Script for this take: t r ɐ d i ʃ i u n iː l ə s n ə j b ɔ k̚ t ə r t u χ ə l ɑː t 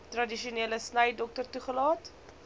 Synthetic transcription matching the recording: t r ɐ d i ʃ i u n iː l ə s n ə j d ɔ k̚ t ə r t u χ ə l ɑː t